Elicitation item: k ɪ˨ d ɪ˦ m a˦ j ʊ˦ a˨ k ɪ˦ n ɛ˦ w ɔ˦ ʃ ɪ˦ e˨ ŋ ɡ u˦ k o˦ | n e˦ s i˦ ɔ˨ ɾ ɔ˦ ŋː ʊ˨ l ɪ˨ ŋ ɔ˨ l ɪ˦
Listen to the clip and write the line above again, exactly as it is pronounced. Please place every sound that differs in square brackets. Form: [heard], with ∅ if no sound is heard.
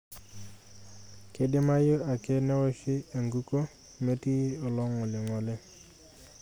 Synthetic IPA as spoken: k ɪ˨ d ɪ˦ m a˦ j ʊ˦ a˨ k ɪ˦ n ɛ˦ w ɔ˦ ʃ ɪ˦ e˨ ŋ ɡ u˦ k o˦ | [m] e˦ [t] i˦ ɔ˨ [l] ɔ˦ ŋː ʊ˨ l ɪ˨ ŋ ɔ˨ l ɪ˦

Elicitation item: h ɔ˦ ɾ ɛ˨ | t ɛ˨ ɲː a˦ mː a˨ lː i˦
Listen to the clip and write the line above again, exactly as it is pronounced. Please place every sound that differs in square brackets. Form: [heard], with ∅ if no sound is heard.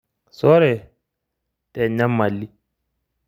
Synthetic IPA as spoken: [s] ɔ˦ ɾ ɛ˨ | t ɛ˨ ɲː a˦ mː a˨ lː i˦

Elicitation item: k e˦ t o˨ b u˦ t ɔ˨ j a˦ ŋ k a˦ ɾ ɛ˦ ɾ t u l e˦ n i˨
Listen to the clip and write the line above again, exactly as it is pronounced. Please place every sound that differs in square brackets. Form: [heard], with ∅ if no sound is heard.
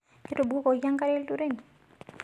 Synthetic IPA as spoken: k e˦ t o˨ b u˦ [k] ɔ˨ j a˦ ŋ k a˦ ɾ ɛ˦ [l] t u [ɾ] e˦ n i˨

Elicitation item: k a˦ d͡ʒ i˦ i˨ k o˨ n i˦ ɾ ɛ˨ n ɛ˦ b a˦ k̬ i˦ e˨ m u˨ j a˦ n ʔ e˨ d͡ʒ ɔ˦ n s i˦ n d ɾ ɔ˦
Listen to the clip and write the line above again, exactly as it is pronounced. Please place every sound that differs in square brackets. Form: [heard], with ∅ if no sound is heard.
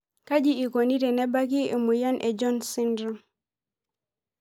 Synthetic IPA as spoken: k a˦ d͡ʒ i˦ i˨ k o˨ n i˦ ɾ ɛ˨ n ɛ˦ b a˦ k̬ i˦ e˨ m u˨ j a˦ n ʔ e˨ d͡ʒ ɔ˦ n s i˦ n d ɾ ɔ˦

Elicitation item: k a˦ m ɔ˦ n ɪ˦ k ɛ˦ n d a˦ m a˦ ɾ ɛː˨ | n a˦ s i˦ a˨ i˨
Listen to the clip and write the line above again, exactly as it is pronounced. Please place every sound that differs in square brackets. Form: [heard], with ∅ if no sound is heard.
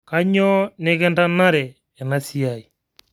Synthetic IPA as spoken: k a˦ [ɲ] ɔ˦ n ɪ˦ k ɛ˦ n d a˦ [n] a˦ ɾ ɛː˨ | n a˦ s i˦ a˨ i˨

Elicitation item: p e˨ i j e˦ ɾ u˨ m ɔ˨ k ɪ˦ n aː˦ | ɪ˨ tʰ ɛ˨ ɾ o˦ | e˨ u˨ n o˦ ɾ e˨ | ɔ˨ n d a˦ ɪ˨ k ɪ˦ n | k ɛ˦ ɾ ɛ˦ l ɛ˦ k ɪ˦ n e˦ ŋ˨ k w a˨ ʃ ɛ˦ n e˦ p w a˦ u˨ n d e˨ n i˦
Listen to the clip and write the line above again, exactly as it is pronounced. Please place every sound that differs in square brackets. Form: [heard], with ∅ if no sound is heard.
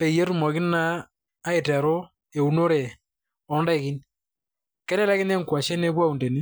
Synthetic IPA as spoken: p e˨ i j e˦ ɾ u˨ m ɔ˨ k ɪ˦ n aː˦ | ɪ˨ [t] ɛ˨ ɾ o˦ | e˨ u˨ n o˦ ɾ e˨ | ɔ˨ n d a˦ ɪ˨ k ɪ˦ n | k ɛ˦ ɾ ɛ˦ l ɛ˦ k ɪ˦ n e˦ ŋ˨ k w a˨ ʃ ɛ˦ n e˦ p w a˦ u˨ n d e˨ n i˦

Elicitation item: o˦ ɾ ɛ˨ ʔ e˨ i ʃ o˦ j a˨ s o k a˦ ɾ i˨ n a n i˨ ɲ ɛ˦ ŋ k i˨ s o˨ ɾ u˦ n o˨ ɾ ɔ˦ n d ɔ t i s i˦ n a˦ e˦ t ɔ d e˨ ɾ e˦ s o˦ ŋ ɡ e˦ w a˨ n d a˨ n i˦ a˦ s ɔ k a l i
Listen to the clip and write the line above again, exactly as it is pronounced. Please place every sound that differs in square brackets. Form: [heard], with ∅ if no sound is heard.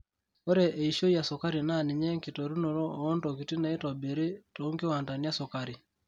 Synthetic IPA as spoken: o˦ ɾ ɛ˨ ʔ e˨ i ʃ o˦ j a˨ s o k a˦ ɾ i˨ n a n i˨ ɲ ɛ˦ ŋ k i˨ [t] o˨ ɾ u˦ n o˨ ɾ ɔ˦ n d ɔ [k] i [t] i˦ n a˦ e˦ t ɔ [b] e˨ ɾ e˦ [t] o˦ ŋ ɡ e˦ w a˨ n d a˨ n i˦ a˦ s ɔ k a [ɾ] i

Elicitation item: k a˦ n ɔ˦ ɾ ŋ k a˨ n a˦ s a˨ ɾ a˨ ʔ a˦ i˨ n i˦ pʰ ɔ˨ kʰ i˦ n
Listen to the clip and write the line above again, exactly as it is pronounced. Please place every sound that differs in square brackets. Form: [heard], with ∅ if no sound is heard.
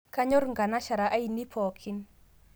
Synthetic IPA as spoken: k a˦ [ɲ] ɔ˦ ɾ ŋ [ɡ] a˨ n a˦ [ʃ] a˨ ɾ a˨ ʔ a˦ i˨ n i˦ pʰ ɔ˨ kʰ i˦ n

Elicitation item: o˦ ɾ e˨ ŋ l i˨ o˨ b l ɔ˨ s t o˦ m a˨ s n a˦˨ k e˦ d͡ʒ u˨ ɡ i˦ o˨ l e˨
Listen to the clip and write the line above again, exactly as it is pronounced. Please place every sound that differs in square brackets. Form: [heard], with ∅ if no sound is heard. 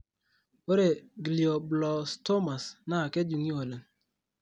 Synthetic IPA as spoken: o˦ ɾ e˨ [ɡ] l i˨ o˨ b l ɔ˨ s t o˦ m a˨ s n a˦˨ k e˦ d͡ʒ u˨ [ŋ] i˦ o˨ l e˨

